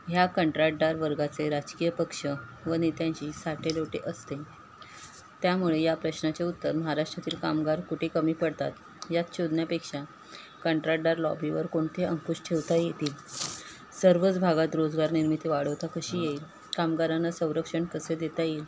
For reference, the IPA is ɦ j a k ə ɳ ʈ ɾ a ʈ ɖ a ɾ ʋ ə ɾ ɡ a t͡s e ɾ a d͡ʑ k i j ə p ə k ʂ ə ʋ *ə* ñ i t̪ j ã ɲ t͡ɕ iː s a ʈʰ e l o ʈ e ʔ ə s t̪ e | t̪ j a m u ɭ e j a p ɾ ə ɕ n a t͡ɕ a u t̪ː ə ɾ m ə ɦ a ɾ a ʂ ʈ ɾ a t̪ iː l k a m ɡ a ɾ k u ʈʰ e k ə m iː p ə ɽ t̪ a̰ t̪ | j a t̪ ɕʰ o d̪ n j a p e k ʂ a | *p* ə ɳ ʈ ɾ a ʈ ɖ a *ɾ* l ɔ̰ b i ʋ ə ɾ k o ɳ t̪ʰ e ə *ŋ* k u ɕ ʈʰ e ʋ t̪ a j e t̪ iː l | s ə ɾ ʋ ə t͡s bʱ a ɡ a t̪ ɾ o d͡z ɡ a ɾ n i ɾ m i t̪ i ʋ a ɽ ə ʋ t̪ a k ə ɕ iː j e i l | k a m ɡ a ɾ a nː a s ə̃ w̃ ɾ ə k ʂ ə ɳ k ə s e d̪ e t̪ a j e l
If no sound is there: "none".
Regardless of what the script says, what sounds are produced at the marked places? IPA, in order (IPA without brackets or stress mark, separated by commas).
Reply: ə, k, ɾ, ŋ